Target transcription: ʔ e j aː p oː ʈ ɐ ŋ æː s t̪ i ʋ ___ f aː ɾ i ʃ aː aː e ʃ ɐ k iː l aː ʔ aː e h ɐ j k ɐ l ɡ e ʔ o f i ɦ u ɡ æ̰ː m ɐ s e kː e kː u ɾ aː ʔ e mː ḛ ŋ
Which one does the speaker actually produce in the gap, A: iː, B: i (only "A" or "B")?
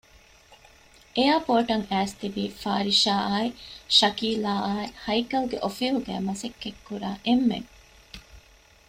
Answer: A